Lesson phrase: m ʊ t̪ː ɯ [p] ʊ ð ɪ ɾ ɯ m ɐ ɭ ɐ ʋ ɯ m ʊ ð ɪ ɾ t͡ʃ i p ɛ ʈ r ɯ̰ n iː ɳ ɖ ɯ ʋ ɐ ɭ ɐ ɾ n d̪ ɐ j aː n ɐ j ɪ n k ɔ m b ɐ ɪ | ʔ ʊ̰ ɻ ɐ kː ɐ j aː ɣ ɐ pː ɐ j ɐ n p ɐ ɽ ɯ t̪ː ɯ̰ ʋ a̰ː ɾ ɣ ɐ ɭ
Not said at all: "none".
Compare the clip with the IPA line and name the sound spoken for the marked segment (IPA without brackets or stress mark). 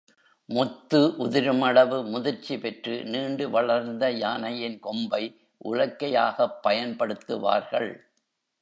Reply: ʔ